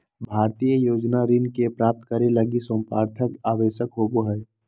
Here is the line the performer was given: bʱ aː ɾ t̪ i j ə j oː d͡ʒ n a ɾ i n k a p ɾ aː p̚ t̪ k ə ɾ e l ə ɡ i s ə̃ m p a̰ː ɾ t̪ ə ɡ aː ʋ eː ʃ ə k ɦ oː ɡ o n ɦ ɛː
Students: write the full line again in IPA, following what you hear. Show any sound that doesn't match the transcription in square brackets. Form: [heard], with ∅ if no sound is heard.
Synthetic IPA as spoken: bʱ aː ɾ t̪ i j ə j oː d͡ʒ n a ɾ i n k [e] p ɾ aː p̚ t̪ k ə ɾ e l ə ɡ i s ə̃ m p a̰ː ɾ [t̪ʰ] ə [k] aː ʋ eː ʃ ə k ɦ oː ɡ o [∅] ɦ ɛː